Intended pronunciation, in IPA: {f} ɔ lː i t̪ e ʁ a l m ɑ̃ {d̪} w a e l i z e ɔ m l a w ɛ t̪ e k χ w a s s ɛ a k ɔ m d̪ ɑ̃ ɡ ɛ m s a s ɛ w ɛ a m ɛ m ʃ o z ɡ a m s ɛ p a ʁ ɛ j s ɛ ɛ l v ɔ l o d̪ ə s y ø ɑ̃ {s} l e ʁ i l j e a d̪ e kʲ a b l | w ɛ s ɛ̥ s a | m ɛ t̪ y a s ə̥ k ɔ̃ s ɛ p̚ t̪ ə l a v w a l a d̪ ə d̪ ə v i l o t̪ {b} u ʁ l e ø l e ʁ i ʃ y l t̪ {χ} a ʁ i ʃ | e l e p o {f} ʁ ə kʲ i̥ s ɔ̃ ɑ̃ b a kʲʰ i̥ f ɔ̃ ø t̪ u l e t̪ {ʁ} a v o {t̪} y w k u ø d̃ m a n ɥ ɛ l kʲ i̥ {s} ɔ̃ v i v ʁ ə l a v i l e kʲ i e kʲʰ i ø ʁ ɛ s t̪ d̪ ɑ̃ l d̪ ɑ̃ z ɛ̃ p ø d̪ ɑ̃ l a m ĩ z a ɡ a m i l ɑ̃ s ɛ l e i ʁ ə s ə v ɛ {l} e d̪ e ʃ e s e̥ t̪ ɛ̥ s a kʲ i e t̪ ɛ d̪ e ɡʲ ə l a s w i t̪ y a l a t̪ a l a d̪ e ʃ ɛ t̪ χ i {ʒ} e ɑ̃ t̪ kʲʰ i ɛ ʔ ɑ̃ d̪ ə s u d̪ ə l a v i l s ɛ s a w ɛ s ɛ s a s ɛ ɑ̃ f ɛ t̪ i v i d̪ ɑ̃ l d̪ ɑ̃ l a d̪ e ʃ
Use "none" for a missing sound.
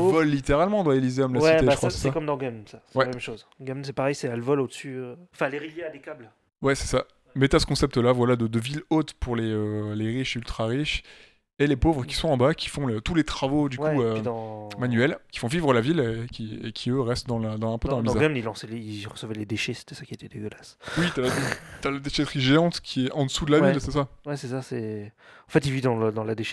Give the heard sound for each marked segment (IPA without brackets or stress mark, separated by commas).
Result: v, d̪, f, p, χ, v, χ, d̪, f, l, ʒ